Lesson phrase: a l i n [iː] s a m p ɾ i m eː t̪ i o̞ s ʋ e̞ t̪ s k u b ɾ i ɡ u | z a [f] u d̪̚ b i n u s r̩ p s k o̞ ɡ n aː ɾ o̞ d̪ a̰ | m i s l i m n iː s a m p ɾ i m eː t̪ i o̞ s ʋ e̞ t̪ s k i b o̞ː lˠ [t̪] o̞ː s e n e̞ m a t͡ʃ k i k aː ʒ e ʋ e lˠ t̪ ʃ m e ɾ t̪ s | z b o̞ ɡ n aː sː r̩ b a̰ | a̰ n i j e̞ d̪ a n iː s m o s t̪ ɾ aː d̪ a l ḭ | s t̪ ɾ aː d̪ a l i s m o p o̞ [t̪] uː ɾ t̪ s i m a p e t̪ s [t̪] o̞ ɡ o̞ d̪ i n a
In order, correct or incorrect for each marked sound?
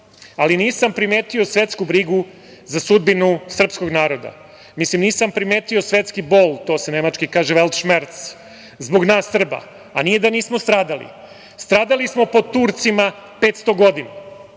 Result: correct, incorrect: s, correct, correct, correct

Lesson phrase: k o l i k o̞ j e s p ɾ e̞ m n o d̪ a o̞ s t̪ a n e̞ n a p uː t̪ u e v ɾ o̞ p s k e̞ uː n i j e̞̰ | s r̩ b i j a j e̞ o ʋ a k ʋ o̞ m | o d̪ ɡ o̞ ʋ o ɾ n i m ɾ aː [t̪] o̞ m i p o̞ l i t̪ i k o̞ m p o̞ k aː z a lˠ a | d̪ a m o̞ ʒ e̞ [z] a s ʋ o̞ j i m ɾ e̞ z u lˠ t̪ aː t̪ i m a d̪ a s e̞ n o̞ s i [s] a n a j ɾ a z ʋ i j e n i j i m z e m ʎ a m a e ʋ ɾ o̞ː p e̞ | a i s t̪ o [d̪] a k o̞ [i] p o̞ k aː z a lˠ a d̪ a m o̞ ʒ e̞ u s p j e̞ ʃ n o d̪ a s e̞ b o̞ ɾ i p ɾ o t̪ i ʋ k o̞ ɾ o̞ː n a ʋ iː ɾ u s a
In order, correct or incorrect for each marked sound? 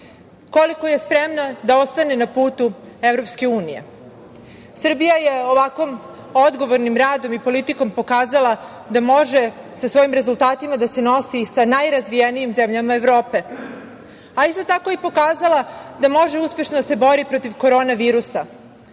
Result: incorrect: d̪, incorrect: s, correct, incorrect: t̪, correct

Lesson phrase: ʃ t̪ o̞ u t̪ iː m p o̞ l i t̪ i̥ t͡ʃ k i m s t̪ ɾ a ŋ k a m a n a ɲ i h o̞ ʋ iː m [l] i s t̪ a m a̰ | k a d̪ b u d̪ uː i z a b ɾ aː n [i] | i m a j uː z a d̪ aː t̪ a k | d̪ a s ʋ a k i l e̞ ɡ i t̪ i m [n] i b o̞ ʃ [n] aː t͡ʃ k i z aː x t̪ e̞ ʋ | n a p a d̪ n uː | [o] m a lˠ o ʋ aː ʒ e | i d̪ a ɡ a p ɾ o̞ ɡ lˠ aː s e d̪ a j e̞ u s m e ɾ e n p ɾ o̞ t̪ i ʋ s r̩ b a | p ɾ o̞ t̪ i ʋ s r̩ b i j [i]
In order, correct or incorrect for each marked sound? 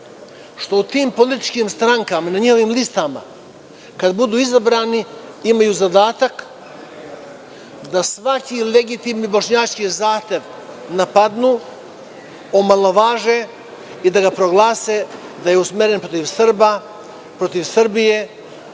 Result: correct, correct, correct, incorrect: ɲ, correct, incorrect: e

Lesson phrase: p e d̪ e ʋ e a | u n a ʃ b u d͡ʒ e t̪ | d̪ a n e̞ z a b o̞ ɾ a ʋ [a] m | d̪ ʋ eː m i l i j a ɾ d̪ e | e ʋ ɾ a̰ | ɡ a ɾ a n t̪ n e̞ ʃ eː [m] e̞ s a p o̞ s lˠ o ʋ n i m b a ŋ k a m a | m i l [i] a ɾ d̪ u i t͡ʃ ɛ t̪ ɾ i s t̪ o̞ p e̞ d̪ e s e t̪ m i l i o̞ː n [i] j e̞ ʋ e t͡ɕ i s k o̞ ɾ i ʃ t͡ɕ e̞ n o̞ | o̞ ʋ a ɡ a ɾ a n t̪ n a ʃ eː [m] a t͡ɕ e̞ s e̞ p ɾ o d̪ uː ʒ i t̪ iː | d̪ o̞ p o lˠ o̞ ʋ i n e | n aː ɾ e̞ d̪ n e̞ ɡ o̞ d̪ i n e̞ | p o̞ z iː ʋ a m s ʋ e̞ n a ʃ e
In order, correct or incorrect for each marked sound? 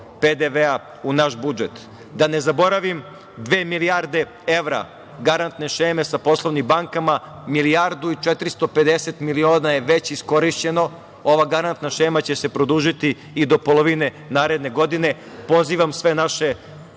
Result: incorrect: i, correct, correct, incorrect: a, correct

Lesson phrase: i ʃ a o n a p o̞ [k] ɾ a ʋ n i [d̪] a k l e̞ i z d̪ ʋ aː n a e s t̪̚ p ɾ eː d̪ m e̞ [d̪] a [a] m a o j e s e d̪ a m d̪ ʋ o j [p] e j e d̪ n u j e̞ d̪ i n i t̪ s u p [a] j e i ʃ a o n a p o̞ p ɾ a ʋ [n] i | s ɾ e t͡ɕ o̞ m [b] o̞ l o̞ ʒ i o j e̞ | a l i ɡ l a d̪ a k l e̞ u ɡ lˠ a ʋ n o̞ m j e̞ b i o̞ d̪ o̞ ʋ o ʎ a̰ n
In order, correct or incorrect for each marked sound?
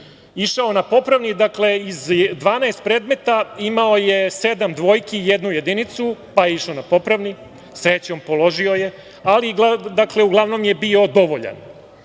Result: incorrect: p, correct, incorrect: t̪, incorrect: i, incorrect: k, correct, correct, incorrect: p

